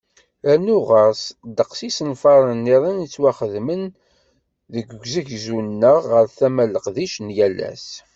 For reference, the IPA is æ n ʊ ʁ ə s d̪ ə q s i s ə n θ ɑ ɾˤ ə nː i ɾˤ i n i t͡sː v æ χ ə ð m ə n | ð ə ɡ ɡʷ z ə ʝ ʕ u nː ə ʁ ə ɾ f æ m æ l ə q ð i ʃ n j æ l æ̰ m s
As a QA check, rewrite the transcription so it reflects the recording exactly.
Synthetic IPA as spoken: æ n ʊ ʁ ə s d̪ ə q s i s ə n f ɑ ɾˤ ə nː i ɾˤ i n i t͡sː w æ χ ə ð m ə n | ð ə ɡ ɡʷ z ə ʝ z u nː ə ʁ ə ɾ θ æ m æ l ə q ð i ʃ n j æ l æ̰ s